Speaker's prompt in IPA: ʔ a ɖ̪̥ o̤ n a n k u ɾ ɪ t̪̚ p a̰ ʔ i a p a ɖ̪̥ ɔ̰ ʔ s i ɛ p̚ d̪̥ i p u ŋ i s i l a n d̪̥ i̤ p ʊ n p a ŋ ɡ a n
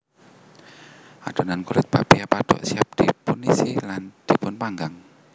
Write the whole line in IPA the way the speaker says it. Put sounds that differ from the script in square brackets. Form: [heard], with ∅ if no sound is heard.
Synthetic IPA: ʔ a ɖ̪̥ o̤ n a n k u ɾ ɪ t̪̚ p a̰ [p] i a p a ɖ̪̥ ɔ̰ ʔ s i [a] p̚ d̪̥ i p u [n] i s i l a n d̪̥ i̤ p ʊ n p a ŋ ɡ a [ŋ]